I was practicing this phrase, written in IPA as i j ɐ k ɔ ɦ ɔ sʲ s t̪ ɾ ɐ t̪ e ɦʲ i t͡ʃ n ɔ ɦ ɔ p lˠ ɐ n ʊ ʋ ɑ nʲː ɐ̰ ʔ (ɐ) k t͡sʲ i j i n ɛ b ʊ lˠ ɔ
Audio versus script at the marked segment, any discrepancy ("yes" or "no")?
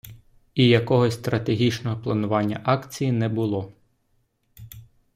yes